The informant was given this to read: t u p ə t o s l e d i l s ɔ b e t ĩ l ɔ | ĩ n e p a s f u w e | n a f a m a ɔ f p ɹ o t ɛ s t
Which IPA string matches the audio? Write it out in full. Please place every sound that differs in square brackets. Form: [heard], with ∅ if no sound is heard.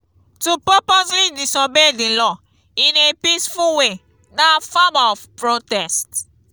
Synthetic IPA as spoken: t u p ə [p] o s l [i] d i [∅] s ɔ b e [d] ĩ l ɔ | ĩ n e p [i] s f u w e | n a f a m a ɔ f p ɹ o t ɛ s t